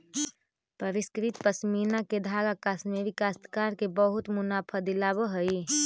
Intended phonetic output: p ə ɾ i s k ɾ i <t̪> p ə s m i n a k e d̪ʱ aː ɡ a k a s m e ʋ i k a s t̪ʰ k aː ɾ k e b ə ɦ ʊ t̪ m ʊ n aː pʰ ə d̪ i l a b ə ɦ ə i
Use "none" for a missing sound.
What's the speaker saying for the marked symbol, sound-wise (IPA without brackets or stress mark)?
t̪